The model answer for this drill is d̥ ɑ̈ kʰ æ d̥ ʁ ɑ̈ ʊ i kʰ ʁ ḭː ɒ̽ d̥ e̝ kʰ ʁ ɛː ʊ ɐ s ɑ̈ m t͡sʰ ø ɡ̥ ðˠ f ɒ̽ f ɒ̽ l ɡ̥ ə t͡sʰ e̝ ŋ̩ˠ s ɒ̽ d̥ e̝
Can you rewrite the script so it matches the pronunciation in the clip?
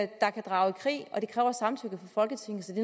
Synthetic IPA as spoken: d̥ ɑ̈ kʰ æ d̥ ʁ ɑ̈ ʊ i kʰ ʁ ḭː ɒ̽ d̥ e̝ kʰ ʁ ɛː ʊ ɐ s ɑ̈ m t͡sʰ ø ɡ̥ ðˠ f ɒ̽ f ɒ̽ l ɡ̥ ə t͡sʰ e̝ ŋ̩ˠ s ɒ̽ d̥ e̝